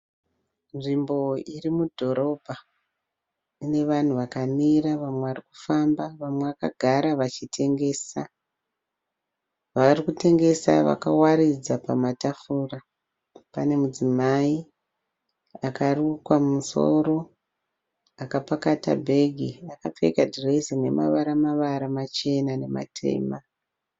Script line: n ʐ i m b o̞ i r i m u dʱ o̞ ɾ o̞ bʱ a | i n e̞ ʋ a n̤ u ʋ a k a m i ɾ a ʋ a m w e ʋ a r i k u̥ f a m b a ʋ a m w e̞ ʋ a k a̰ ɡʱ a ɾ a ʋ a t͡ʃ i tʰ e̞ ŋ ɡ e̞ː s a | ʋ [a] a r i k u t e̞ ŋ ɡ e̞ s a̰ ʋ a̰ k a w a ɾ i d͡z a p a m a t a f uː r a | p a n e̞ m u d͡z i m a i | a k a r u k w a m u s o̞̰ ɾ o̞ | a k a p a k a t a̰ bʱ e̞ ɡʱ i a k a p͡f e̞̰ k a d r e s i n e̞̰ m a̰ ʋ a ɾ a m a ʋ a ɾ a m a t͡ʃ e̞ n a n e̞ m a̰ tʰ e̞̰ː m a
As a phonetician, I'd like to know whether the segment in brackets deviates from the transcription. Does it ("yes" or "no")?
no